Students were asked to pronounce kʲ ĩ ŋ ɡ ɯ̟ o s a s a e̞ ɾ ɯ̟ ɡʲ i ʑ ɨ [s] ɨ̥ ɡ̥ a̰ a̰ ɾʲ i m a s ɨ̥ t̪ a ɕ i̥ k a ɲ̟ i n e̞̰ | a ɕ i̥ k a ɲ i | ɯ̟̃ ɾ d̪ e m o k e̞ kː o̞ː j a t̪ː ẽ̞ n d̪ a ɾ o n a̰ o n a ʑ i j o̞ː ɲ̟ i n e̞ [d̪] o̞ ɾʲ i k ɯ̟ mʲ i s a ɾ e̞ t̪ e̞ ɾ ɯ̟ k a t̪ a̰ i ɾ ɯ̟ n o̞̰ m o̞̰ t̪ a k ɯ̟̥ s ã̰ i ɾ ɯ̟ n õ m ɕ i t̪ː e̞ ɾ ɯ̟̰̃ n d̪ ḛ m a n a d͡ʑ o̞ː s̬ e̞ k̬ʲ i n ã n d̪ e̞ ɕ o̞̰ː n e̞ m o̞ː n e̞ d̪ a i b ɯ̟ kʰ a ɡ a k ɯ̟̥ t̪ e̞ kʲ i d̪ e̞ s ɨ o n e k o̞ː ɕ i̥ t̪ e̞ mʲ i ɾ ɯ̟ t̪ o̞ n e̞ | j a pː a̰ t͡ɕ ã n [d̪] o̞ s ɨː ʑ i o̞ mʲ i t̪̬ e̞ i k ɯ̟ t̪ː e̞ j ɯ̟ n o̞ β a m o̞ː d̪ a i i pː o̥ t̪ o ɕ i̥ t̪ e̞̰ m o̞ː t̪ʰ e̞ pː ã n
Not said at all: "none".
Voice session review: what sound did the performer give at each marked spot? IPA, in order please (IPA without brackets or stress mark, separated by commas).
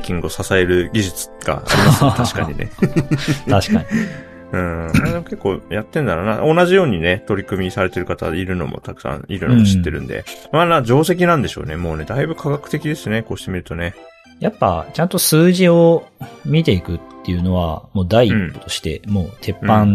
t͡s, t̪, t̪